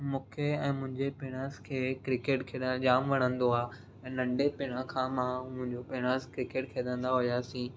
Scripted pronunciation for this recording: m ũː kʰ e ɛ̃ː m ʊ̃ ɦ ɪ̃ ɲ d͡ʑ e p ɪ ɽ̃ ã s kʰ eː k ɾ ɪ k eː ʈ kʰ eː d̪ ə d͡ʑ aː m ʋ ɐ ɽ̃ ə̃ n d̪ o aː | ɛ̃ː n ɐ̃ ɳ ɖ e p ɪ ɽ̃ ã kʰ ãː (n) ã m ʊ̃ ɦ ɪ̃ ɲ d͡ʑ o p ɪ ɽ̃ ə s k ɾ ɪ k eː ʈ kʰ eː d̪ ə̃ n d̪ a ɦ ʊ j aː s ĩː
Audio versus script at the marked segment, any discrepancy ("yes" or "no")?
yes